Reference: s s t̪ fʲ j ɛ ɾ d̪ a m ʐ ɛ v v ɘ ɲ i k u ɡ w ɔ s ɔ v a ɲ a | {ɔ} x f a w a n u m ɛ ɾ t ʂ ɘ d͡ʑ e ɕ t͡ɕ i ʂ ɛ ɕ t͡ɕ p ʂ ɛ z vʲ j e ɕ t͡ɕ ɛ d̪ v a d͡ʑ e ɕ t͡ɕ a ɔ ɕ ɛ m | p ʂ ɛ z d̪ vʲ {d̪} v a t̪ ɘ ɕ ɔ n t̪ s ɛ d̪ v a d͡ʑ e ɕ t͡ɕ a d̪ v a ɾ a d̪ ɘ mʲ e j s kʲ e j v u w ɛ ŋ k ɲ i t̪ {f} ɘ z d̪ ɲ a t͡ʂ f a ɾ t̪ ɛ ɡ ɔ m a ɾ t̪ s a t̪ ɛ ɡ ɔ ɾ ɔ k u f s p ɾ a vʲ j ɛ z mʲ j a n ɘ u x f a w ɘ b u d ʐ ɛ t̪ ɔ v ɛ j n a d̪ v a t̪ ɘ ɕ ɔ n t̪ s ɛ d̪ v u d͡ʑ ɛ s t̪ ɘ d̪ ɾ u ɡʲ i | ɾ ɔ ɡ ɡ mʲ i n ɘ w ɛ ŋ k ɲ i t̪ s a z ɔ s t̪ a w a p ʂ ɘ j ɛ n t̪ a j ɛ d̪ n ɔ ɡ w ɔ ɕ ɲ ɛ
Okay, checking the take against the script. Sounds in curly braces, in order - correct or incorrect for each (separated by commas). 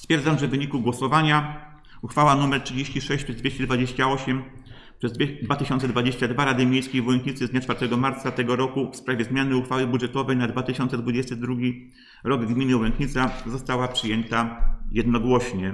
incorrect, correct, incorrect